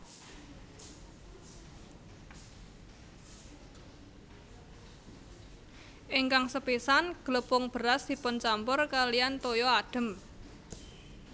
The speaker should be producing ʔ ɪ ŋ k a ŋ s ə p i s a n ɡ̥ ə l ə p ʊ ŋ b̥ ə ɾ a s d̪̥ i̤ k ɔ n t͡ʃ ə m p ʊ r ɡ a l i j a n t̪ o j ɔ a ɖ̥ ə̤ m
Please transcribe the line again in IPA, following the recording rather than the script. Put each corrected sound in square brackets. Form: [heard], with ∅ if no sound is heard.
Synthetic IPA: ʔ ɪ ŋ k a ŋ s ə p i s a n ɡ̥ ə l ə p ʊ ŋ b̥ ə ɾ a s d̪̥ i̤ [p] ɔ n t͡ʃ [a] m p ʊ r [k] a l i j a n t̪ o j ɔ a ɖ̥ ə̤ m

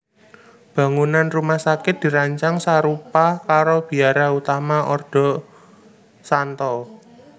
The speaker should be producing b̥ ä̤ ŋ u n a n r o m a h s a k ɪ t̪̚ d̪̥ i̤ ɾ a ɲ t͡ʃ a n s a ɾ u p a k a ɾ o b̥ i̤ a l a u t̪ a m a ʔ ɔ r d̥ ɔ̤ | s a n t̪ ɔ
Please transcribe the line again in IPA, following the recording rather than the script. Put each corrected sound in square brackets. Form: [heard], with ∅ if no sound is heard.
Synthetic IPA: b̥ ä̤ ŋ u n a n r [u] m a h s a k ɪ t̪̚ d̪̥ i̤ ɾ a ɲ t͡ʃ a [ŋ] s a ɾ u p a k a ɾ o b̥ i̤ a [ɾ] a u t̪ a m a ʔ ɔ r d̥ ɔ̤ | s a n t̪ ɔ

